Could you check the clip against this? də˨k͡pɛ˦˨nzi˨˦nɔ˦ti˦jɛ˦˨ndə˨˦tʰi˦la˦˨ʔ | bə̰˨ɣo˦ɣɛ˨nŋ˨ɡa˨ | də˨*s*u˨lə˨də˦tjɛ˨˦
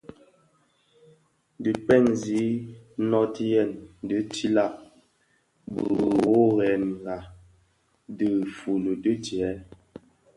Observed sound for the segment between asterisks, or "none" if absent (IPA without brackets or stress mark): f